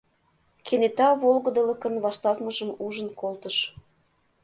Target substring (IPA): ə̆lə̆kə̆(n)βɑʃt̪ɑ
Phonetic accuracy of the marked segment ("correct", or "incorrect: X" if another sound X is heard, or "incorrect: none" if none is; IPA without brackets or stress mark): correct